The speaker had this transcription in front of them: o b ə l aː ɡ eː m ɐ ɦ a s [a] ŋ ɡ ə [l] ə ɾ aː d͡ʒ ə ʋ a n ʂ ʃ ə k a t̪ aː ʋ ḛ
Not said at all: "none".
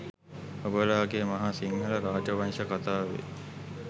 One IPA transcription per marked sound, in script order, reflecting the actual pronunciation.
i, l

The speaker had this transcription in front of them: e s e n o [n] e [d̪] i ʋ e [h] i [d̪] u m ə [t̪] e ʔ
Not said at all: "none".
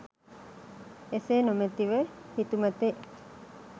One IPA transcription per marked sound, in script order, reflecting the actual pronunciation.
m, t̪, h, t̪, t̪

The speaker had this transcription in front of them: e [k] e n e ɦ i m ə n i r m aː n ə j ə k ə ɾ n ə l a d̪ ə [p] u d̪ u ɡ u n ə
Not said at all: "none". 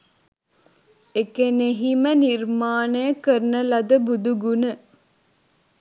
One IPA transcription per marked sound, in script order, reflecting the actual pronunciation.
k, b

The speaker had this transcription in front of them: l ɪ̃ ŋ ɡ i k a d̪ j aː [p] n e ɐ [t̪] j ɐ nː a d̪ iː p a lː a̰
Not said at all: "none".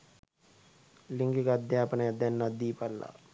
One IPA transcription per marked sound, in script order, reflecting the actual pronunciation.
p, d̪

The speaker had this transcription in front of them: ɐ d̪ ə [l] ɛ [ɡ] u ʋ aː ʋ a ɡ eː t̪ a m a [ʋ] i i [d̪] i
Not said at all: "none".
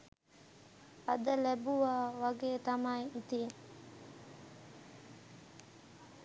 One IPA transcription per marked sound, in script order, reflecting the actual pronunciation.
l, b, none, t̪

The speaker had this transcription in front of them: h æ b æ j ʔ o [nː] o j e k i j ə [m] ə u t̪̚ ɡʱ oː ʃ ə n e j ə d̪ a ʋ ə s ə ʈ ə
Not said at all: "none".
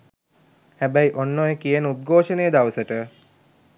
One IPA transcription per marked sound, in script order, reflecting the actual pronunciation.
nː, n

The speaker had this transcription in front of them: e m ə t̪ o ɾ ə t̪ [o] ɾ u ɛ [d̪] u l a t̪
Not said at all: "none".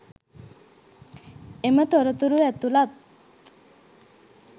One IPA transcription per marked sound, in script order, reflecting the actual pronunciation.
u, t̪

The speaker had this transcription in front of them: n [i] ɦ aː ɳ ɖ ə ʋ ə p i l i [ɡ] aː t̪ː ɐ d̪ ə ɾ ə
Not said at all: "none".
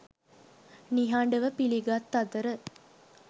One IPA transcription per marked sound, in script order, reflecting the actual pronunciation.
i, ɡ

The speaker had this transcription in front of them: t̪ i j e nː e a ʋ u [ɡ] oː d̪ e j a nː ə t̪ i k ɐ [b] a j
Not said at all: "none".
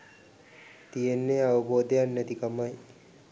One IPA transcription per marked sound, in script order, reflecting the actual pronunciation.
b, m

